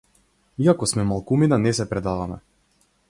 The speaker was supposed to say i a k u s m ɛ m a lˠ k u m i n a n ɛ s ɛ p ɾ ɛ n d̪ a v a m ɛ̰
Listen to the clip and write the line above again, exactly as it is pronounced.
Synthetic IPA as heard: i a k ɔ s m ɛ m a lˠ k u m i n a n ɛ s ɛ p ɾ ɛ d̪ a v a m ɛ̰

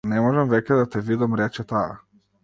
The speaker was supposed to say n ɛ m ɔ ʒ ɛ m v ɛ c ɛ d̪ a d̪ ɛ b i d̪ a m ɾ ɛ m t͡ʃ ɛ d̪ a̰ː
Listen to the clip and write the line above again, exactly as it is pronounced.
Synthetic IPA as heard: n ɛ m ɔ ʒ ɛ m v ɛ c ɛ d̪ a t̪ ɛ v i d̪ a m ɾ ɛ t͡ʃ ɛ t̪ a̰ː

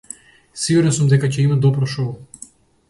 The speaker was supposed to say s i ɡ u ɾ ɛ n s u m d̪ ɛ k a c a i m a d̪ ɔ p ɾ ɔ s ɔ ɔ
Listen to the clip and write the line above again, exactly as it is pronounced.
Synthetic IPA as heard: s i ɡ u ɾ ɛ n s u m d̪ ɛ k a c ɛ i m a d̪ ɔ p ɾ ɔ ʃ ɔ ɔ

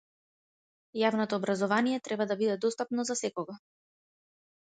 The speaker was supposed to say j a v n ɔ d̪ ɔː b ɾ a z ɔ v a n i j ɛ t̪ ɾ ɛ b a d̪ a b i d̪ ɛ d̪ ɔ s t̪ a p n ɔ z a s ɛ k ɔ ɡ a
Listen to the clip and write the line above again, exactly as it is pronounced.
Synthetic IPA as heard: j a v n ɔ t̪ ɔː b ɾ a z ɔ v a n i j ɛ t̪ ɾ ɛ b a d̪ a b i d̪ ɛ d̪ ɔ s t̪ a p n ɔ z a s ɛ k ɔ ɡ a

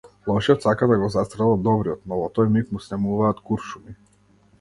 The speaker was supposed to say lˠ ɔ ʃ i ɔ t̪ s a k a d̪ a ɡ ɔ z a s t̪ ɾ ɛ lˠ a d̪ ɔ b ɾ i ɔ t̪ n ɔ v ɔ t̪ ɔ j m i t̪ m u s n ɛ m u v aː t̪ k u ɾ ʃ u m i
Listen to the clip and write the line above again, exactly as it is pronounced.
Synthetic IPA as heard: lˠ ɔ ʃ i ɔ t̪ s a k a d̪ a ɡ ɔ z a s t̪ ɾ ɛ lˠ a d̪ ɔ b ɾ i ɔ t̪ n ɔ v ɔ t̪ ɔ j m i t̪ m u s n ɛ m u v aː t̪ k u ɾ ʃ u m i

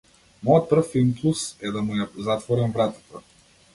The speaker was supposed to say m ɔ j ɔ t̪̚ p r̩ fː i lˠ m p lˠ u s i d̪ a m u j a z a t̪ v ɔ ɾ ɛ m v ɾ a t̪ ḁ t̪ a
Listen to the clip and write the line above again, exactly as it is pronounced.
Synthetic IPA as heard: m ɔ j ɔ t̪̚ p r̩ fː i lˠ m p lˠ u s ɛ d̪ a m u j a z a t̪ v ɔ ɾ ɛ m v ɾ a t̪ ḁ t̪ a

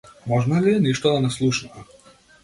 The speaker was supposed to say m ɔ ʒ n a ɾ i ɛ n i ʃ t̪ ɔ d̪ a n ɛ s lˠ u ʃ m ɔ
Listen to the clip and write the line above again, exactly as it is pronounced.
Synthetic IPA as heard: m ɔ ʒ n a l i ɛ n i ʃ t̪ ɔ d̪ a n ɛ s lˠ u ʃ n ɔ

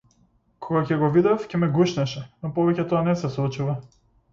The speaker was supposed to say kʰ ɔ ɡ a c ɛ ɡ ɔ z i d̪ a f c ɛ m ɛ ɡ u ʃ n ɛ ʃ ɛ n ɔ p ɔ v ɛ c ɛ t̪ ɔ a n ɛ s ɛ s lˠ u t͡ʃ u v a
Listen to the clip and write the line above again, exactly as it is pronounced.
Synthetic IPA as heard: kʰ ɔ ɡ a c ɛ ɡ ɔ v i d̪ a f c ɛ m ɛ ɡ u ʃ n ɛ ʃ ɛ n ɔ p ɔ v ɛ c ɛ t̪ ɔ a n ɛ s ɛ s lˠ u t͡ʃ u v a

